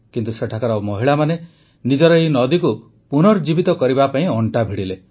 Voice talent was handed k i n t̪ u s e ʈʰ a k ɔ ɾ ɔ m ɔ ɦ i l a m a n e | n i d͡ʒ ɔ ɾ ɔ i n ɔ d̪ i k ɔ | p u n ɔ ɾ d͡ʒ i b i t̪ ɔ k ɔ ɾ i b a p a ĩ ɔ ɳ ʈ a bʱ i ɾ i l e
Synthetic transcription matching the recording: k i n t̪ u s e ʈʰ a k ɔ ɾ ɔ m ɔ ɦ i ɭ a m a n e | n i d͡ʒ ɔ ɾ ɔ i n ɔ d̪ i k u | p u n ɔ ɾ d͡ʒ i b i t̪ ɔ k ɔ ɾ i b a p a ĩ ɔ ɳ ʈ a bʱ i ɽ i l e

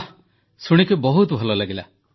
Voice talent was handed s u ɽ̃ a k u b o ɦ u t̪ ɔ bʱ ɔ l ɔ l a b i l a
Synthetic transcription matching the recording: s u ɽ̃ i k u b ɔ ɦ u t̪ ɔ bʱ ɔ l ɔ l a ɡ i l a

